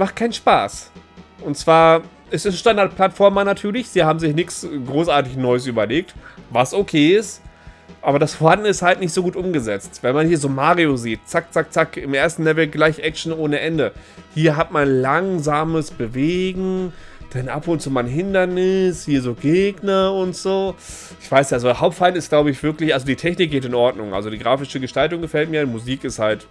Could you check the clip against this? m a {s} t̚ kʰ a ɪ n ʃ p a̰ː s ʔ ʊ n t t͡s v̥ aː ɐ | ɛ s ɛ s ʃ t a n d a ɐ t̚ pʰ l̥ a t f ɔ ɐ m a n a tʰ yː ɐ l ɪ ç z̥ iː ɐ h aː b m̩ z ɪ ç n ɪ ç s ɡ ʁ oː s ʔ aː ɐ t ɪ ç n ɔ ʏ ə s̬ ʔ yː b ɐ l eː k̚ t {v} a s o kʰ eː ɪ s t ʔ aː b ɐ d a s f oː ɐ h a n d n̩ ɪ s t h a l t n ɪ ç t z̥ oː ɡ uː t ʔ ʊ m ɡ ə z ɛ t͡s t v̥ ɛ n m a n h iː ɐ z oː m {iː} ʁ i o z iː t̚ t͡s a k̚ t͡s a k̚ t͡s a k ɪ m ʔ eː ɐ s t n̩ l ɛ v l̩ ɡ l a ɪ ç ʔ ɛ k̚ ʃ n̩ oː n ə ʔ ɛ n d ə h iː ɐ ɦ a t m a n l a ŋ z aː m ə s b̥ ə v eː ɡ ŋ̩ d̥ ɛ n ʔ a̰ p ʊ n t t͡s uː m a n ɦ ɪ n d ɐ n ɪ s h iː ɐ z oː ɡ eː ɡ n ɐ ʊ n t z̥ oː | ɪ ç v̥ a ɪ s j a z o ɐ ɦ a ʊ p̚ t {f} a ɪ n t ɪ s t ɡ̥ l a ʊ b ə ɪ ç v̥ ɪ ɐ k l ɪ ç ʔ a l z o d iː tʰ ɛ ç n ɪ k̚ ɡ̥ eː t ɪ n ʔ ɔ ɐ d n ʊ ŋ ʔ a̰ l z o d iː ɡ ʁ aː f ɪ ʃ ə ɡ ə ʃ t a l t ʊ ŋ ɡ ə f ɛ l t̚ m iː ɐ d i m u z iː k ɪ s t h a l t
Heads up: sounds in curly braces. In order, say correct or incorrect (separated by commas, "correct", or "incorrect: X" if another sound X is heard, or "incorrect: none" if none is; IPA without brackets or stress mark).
incorrect: χ, correct, incorrect: aː, correct